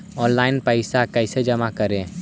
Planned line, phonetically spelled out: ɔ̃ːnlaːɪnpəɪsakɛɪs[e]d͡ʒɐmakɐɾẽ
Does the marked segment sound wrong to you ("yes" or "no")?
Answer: no